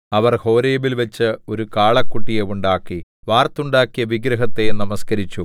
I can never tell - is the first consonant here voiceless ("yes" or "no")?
no